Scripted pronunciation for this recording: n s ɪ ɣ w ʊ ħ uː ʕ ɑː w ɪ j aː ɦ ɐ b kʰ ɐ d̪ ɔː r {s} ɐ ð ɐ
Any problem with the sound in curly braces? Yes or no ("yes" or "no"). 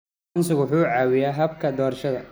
yes